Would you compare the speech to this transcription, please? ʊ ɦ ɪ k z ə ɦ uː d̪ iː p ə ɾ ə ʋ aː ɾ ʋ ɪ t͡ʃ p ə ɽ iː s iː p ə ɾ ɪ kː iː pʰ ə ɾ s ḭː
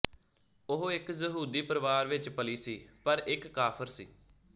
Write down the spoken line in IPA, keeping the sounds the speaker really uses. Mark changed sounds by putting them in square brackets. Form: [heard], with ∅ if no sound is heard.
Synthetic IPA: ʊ ɦ ɪ k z ə ɦ uː d̪ iː p ə ɾ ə ʋ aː ɾ ʋ ɪ t͡ʃ p ə [l] iː s iː p ə ɾ ɪ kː [aː] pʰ ə ɾ s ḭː